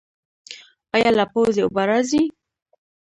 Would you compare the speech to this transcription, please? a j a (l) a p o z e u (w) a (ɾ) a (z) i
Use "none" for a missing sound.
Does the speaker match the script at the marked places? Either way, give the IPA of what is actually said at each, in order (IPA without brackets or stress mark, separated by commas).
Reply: l, b, ɾ, z